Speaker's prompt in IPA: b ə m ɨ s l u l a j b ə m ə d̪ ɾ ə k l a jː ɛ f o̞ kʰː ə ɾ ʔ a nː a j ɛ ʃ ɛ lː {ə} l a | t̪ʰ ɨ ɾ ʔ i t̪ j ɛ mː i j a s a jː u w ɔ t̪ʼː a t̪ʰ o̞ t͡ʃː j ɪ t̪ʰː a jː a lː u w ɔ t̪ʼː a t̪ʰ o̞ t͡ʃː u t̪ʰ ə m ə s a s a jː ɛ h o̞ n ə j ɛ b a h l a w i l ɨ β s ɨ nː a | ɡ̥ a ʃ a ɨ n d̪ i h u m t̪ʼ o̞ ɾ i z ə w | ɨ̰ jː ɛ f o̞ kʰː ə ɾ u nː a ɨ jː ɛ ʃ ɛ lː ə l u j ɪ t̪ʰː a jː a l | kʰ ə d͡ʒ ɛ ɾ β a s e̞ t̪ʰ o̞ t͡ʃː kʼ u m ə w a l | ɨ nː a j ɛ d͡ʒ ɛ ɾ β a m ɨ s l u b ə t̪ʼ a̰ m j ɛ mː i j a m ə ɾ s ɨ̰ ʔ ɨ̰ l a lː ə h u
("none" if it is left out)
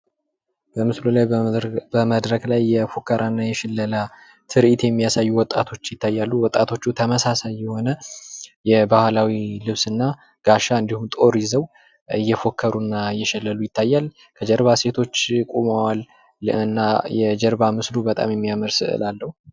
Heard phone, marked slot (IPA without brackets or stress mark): ə